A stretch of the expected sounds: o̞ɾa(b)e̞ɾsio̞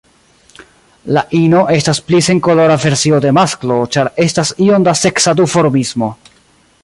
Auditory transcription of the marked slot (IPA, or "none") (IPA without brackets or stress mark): v